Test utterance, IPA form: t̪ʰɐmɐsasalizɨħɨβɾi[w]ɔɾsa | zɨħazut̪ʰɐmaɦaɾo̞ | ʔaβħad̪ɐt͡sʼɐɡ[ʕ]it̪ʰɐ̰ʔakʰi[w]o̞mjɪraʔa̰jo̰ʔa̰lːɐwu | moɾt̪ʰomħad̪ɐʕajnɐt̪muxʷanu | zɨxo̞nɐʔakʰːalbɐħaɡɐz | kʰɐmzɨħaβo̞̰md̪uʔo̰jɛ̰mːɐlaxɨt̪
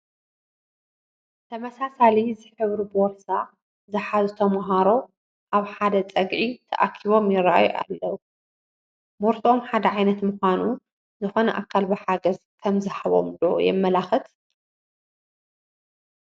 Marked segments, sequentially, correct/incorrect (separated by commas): incorrect, correct, incorrect